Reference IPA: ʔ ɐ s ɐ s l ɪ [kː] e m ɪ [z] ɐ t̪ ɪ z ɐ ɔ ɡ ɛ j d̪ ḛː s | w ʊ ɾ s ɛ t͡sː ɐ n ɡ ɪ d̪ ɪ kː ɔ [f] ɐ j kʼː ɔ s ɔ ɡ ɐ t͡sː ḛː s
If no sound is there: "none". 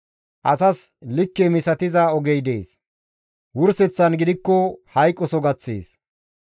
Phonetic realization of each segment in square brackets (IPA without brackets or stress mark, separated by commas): kː, s, h